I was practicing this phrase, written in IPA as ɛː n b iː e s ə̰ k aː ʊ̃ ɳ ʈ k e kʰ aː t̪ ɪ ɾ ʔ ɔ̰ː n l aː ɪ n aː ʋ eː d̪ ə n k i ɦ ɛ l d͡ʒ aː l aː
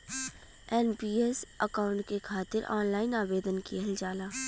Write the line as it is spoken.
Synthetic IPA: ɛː n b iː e s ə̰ k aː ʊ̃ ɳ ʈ k e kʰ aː t̪ ɪ ɾ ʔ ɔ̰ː n l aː ɪ n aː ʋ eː d̪ ə n k i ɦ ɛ l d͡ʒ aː l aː